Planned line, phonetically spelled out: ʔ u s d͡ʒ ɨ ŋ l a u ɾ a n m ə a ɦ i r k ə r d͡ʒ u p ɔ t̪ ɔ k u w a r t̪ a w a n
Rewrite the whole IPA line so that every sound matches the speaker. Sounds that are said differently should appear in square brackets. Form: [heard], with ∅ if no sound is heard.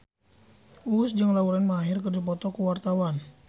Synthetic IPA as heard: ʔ u s d͡ʒ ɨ ŋ l a u ɾ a n m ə a ɦ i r k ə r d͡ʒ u p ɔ t̪ ɔ k u w a r t̪ a w a n